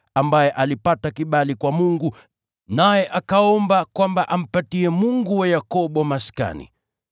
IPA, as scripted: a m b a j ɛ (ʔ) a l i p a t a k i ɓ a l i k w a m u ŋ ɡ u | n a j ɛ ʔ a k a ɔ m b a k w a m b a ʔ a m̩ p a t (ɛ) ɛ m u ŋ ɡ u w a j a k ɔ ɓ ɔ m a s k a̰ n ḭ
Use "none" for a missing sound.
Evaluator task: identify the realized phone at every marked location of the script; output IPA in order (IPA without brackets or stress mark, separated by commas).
ʔ, i